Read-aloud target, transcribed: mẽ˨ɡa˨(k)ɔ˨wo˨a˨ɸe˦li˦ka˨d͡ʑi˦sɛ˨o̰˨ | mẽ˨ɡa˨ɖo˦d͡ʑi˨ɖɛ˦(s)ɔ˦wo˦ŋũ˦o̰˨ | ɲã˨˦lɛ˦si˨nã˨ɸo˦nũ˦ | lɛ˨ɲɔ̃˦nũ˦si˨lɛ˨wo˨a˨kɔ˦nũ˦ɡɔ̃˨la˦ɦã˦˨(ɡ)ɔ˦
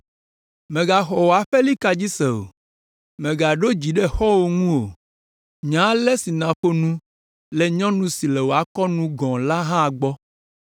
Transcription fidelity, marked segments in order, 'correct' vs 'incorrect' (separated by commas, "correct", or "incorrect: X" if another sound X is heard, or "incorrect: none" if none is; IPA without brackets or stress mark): incorrect: x, incorrect: x, incorrect: ɡ͡b